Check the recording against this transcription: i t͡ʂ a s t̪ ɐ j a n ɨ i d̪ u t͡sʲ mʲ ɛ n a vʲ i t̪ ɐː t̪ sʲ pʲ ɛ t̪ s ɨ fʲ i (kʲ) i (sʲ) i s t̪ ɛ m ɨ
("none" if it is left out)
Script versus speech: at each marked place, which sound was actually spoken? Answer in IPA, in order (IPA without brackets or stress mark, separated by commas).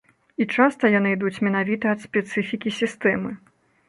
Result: kʲ, sʲ